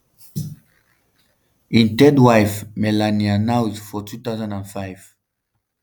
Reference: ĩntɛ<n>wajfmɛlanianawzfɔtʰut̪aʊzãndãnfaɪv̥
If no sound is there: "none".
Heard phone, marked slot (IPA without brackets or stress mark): d